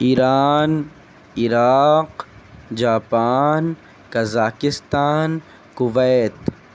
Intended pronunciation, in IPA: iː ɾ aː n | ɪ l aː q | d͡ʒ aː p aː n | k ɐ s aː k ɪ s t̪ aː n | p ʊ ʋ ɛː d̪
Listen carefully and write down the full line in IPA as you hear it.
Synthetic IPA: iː ɾ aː n | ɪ ɾ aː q | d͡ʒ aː p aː n | k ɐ z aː k ɪ s t̪ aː n | k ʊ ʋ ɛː t̪